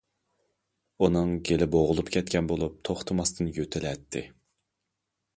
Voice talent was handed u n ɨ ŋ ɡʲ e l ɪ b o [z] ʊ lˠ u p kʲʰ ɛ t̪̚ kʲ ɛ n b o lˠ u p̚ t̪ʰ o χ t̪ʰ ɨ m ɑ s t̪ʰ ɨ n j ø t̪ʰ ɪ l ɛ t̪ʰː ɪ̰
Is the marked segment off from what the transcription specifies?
yes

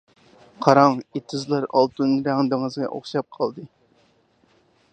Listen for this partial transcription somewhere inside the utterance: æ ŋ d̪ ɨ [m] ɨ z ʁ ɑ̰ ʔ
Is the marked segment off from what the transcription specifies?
yes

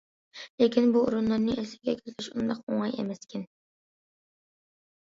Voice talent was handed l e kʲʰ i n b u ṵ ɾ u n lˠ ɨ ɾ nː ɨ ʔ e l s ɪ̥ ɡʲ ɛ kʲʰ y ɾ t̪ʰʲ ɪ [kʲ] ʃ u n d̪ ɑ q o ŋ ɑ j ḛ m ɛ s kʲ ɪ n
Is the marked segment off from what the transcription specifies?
yes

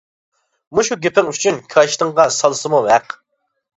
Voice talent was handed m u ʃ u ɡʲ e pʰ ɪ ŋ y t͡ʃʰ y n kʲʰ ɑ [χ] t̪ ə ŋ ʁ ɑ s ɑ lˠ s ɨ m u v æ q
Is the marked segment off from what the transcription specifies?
yes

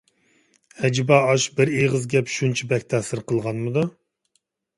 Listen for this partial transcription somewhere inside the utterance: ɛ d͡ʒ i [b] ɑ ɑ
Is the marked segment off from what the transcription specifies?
no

